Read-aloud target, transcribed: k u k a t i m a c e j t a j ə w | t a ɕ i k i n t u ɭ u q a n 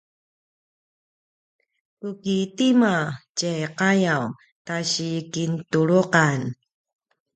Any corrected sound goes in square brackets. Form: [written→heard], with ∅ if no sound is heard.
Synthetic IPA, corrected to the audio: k u k [a→i] t i m a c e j [t→q] a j [ə→a] w | t a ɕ i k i n t u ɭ u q a n